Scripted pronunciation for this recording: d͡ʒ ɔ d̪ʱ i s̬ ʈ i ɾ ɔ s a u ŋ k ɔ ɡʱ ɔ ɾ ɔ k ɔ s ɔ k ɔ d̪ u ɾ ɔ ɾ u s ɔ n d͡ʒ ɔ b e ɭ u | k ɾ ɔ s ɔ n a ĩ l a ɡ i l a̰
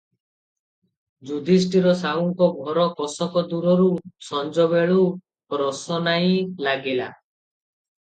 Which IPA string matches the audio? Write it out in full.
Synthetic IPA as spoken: d͡ʒ u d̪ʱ i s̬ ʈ i ɾ ɔ s a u ŋ k ɔ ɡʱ ɔ ɾ ɔ k ɔ s ɔ k ɔ d̪ u ɾ ɔ ɾ u s ɔ n d͡ʒ ɔ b e ɭ u | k ɾ ɔ s ɔ n a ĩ l a ɡ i l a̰

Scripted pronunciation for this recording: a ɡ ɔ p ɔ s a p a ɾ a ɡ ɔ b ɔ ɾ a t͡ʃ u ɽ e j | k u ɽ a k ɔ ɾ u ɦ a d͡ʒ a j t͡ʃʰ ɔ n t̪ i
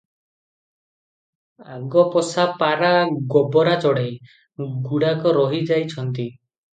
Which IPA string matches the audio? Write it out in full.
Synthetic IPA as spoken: a ɡ ɔ p ɔ s a p a ɾ a ɡ ɔ b ɔ ɾ a t͡ʃ ɔ ɽ e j | ɡ u ɽ a k ɔ ɾ ɔ ɦ i d͡ʒ a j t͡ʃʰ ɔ n t̪ i

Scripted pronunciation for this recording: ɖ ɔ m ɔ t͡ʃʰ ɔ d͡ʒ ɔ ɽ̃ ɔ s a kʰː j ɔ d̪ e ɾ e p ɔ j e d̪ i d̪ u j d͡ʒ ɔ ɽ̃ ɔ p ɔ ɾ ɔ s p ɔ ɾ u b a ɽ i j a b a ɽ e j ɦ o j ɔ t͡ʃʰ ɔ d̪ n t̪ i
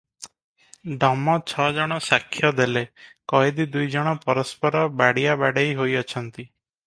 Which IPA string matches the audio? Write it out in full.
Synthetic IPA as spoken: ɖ ɔ m ɔ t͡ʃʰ ɔ d͡ʒ ɔ ɽ̃ ɔ s a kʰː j ɔ d̪ e l e k ɔ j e d̪ i d̪ u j d͡ʒ ɔ ɽ̃ ɔ p ɔ ɾ ɔ s p ɔ ɾ ɔ b a ɽ i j a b a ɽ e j ɦ o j ɔ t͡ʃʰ ɔ n t̪ i

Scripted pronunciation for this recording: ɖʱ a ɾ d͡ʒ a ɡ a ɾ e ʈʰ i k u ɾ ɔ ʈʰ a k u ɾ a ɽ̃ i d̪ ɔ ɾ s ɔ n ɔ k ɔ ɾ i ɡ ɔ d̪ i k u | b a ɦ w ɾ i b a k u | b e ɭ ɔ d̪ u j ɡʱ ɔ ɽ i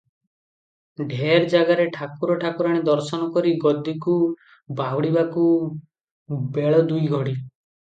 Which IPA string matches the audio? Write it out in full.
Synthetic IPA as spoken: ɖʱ e ɾ d͡ʒ a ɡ a ɾ e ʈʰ a k u ɾ ɔ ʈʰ a k u ɾ a ɽ̃ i d̪ ɔ ɾ s ɔ n ɔ k ɔ ɾ i ɡ ɔ d̪ i k u | b a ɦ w ɽ i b a k u | b e ɭ ɔ d̪ u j ɡʱ ɔ ɽ i

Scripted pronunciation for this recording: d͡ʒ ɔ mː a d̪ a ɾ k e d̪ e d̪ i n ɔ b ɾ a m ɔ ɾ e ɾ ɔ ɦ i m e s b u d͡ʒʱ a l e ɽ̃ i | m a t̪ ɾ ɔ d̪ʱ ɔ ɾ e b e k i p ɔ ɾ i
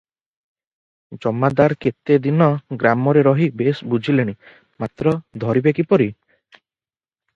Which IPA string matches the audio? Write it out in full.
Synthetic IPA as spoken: d͡ʒ ɔ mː a d̪ a ɾ k e t̪ e d̪ i n ɔ ɡ ɾ a m ɔ ɾ e ɾ ɔ ɦ i b e s b u d͡ʒʱ i l e ɽ̃ i | m a t̪ ɾ ɔ d̪ʱ ɔ ɾ i b e k i p ɔ ɾ i

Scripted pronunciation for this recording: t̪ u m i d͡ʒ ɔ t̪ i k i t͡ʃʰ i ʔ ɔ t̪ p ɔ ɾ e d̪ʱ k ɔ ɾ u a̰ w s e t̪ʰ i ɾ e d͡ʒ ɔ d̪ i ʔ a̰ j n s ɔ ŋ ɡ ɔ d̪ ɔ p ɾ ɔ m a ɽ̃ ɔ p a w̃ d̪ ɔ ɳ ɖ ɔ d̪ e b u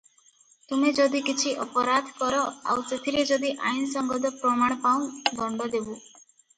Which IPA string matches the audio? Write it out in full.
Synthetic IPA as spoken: t̪ u m e d͡ʒ ɔ d̪ i k i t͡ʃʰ i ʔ ɔ p ɔ ɾ a d̪ʱ k ɔ ɾ ɔ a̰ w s e t̪ʰ i ɾ e d͡ʒ ɔ d̪ i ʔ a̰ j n s ɔ ŋ ɡ ɔ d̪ ɔ p ɾ ɔ m a ɽ̃ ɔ p a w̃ d̪ ɔ ɳ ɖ ɔ d̪ e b u

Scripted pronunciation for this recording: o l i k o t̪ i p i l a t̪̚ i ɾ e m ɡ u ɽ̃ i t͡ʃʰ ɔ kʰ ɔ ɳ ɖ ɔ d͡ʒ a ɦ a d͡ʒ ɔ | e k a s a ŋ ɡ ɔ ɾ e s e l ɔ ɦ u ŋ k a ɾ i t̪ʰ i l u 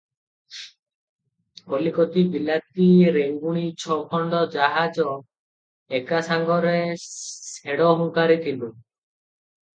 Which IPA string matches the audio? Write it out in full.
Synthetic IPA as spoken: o l i k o t̪ i b i l a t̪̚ i ɾ e ŋ ɡ u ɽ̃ i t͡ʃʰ ɔ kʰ ɔ ɳ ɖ ɔ d͡ʒ a ɦ a d͡ʒ ɔ | e k a s a ŋ ɡ ɔ ɾ e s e ɽ ɔ ɦ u ŋ k a ɾ i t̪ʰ i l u

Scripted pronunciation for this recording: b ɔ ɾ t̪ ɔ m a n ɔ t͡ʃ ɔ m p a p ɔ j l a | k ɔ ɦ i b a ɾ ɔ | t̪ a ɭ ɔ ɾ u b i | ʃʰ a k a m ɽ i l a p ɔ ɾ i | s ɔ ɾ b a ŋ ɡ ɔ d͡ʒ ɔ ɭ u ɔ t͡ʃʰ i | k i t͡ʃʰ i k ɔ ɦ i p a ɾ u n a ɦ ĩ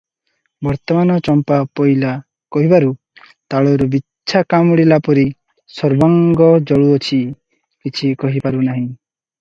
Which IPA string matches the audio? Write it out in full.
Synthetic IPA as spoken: b ɔ ɾ t̪ ɔ m a n ɔ t͡ʃ ɔ m p a p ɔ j l a | k ɔ ɦ i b a ɾ u | t̪ a ɭ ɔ ɾ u b i | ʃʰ a k a m ɽ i l a p ɔ ɾ i | s ɔ ɾ b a ŋ ɡ ɔ d͡ʒ ɔ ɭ u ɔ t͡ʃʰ i | k i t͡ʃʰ i k ɔ ɦ i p a ɾ u n a ɦ ĩ

